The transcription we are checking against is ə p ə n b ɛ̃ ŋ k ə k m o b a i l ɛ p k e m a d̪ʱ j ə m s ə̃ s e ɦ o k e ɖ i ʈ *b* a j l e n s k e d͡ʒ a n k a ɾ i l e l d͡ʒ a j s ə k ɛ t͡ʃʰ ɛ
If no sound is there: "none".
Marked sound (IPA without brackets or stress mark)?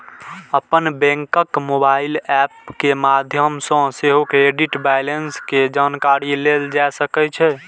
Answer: b